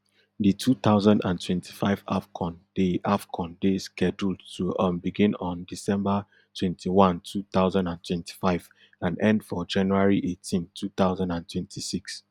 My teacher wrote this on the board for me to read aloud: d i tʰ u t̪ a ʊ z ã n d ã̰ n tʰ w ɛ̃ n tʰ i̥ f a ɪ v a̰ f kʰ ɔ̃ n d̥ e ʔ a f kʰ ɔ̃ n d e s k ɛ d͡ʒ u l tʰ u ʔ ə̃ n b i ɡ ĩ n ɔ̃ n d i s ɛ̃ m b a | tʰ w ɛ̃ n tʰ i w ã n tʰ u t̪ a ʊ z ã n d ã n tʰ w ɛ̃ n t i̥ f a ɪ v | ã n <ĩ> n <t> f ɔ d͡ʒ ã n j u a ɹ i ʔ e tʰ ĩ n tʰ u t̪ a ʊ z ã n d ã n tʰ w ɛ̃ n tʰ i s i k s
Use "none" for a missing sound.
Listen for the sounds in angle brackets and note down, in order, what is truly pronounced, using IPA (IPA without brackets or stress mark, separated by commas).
ɛ̃, d